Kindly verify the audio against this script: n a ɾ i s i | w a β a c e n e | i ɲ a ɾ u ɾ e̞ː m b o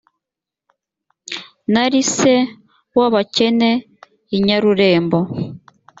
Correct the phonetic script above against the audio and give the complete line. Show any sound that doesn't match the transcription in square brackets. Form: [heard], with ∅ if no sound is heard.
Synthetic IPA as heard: n a ɾ i s [e] | w a β a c e n e | i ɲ a ɾ u ɾ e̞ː m b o